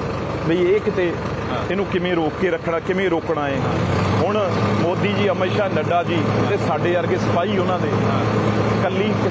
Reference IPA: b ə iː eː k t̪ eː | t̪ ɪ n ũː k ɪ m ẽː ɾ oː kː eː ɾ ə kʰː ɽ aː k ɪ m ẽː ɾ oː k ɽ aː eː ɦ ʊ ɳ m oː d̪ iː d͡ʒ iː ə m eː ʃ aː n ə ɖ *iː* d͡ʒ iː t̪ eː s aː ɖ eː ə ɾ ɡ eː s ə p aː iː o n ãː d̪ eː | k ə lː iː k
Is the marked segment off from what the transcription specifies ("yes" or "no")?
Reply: yes